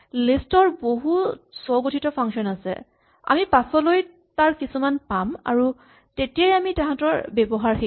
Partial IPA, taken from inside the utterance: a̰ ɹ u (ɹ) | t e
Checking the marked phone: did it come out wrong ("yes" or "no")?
yes